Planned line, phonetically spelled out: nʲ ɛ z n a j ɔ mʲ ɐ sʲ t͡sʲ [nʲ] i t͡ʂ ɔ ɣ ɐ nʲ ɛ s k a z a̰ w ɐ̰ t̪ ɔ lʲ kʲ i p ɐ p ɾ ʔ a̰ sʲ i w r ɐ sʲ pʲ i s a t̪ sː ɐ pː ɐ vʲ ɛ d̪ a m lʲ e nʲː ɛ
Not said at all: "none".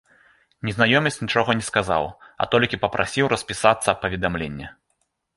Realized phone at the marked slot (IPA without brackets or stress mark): nʲ